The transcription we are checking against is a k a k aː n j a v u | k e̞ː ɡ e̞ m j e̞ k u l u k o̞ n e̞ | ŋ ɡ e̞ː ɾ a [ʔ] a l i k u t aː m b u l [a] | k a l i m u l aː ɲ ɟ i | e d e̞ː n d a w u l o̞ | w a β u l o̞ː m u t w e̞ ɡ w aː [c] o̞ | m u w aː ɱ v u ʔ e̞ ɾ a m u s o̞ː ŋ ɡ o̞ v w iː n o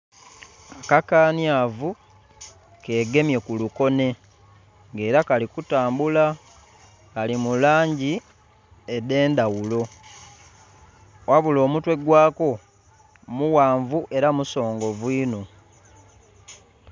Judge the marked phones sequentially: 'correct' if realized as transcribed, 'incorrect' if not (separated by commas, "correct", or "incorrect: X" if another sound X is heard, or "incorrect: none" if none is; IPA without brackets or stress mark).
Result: incorrect: k, correct, incorrect: k